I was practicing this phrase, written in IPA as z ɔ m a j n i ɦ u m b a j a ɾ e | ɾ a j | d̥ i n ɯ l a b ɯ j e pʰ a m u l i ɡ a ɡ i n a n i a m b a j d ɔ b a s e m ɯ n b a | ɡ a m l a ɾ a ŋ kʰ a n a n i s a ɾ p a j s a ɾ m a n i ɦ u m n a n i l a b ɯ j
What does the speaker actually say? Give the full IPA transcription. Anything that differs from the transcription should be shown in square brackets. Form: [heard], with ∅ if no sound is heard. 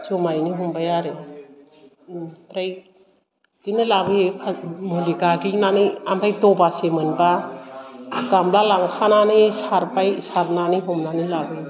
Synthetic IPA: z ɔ m a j n i ɦ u m b a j a ɾ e | ɾ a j | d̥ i n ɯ l a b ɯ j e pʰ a m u l i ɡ a ɡ i n a n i a m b a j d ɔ b a s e m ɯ n b a | ɡ a m l a [l] a ŋ kʰ a n a n i s a ɾ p a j s a ɾ [n] a n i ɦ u m n a n i l a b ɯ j